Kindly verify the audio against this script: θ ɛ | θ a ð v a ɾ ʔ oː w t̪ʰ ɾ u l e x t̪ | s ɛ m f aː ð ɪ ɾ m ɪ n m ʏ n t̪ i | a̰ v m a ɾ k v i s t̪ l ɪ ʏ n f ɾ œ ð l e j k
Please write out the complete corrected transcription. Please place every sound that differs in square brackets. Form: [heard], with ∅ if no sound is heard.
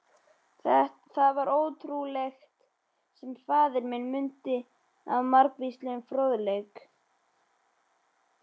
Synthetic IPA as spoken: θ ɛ | θ a ð v a ɾ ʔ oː w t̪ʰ ɾ u l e x t̪ | s ɛ m f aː ð ɪ ɾ m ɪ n m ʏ n t̪ [ɪ] | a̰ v m a ɾ k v i s t̪ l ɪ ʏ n f ɾ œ ð l e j k

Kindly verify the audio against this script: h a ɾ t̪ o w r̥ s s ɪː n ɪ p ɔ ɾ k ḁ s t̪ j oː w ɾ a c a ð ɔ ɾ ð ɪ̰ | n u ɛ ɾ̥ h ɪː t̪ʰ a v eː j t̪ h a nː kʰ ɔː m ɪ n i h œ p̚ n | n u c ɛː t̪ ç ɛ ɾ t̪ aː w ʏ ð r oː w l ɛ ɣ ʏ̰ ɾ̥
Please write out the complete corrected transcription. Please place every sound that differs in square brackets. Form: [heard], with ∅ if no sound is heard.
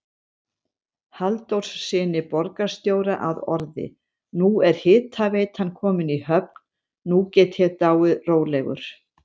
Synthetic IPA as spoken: h a [l] t̪ o w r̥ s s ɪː n ɪ p ɔ ɾ k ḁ s t̪ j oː w ɾ a [ʔ] a ð ɔ ɾ ð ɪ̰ | n u ɛ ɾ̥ h ɪː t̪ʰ a v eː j t̪ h a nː kʰ ɔː m ɪ n i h œ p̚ n | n u c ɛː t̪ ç ɛ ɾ t̪ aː w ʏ ð r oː w l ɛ ɣ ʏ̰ ɾ̥

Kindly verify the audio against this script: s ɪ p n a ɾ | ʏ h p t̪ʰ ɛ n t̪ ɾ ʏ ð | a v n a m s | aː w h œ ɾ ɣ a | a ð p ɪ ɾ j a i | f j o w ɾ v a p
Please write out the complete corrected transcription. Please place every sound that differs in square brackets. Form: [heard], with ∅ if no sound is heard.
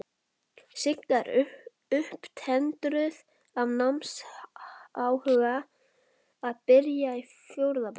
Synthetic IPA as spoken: s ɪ [k] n a ɾ | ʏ h p t̪ʰ ɛ n t̪ ɾ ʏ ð | a v n a m s | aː w h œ [∅] ɣ a | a ð p ɪ ɾ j a i | f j o w ɾ [ð] a p

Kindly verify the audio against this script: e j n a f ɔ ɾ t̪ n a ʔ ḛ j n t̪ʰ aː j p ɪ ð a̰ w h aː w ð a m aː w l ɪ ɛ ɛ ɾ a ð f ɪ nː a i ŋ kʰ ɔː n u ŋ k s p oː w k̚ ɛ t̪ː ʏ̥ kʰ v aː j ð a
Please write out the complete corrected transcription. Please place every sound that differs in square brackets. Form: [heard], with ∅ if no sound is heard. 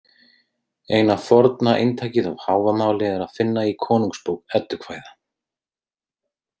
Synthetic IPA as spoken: e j n a f ɔ ɾ t̪ n a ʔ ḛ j n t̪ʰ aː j [c] ɪ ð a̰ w h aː w [v] a m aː w l ɪ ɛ ɛ ɾ a ð f ɪ nː a i [∅] kʰ ɔː n u ŋ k s p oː w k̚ ɛ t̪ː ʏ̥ kʰ v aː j ð a

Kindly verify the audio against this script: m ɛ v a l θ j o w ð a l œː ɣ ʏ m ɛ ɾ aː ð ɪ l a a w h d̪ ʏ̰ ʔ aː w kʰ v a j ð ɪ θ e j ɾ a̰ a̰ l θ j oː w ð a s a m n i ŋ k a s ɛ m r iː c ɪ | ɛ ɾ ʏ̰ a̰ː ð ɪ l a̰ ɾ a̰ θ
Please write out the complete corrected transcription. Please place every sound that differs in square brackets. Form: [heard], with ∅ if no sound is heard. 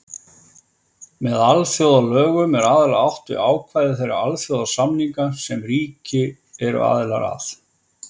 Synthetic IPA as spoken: m ɛ [ð] a l θ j o w ð a l œː ɣ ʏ m ɛ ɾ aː ð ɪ l a a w h [t̪] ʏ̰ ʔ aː w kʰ v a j ð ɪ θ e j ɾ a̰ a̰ l θ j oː w ð a s a m n i ŋ k a s ɛ m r iː c ɪ | ɛ ɾ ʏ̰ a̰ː ð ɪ l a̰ ɾ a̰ θ

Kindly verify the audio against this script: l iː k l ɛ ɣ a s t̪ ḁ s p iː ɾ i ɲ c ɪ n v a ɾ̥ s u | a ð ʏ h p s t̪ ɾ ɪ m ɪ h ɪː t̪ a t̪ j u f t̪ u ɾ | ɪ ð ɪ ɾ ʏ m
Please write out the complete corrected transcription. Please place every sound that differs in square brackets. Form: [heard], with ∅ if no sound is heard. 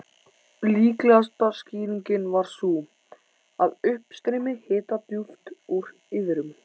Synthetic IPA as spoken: l iː k l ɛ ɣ a s t̪ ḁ s [c] iː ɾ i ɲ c ɪ n v a ɾ̥ s u | a ð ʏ h p s t̪ ɾ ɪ m ɪ h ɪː t̪ a t̪ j u f t̪ u ɾ | ɪ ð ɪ ɾ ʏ m

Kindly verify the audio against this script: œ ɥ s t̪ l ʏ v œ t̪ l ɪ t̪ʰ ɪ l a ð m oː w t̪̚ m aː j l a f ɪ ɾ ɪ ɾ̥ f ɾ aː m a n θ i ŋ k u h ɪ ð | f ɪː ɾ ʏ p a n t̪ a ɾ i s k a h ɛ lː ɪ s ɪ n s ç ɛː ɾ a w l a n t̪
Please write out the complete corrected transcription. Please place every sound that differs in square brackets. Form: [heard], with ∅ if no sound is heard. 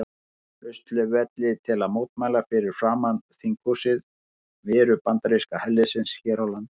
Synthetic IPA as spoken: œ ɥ s t̪ l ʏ v [ɛ] t̪ l ɪ t̪ʰ ɪ l a ð m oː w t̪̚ m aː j l a f ɪ ɾ ɪ ɾ̥ f ɾ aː m a n θ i ŋ k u [s] ɪ ð | [v] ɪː ɾ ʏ p a n t̪ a ɾ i s k a h ɛ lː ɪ s ɪ n s ç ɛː ɾ a w l a n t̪

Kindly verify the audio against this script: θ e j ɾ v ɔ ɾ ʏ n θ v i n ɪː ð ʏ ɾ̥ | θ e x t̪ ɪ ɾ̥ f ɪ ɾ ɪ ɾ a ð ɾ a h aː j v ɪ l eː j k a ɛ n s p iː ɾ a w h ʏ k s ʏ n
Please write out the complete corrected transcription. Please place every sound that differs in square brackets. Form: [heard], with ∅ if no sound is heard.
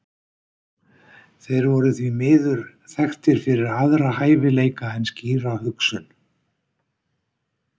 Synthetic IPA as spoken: θ e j ɾ v ɔ ɾ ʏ [∅] θ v i [m] ɪː ð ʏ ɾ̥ | θ [ɛ] x t̪ ɪ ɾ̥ f ɪ ɾ ɪ ɾ a ð ɾ a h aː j v ɪ l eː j k a ɛ n s [c] iː ɾ a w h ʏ k s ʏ n

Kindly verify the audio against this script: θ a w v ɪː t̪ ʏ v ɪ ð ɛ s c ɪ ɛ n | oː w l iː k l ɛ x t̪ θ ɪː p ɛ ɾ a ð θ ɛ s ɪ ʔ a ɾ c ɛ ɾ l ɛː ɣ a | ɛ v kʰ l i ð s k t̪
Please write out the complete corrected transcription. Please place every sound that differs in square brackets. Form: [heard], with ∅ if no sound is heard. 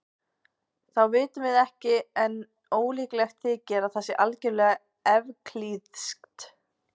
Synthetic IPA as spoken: θ a w v ɪː t̪ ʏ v ɪ ð ɛ [h] c ɪ ɛ n | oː w l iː k l ɛ x t̪ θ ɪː [c] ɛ ɾ a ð θ ɛ s ɪ ʔ a [l] c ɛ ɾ l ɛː ɣ a | ɛ v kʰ l i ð s k t̪

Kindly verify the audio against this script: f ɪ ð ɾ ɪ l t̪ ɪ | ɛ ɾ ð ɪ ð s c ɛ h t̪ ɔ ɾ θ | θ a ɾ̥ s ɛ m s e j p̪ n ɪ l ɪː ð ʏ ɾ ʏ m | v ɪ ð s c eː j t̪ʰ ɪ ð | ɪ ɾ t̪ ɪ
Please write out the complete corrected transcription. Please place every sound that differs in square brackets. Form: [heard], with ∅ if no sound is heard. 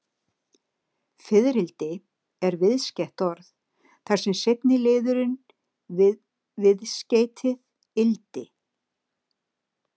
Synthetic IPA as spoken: f ɪ ð ɾ ɪ l t̪ ɪ | ɛ ɾ [v] ɪ ð s c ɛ h t̪ ɔ ɾ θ | θ a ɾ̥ s ɛ m s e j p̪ n ɪ l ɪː ð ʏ ɾ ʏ [n] | v ɪ ð s c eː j t̪ʰ ɪ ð | ɪ [l] t̪ ɪ

